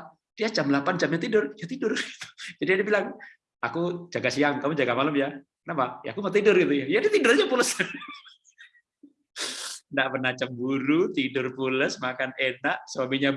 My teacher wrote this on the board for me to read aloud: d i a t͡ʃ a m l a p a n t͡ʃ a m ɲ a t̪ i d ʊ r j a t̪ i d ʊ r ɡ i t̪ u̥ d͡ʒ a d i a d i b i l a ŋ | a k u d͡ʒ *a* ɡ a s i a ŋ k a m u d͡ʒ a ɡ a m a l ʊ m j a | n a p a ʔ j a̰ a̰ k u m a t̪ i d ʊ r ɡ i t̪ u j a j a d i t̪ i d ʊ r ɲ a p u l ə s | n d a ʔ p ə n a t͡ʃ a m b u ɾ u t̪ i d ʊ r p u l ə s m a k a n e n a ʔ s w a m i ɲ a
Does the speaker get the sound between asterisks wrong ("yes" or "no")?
no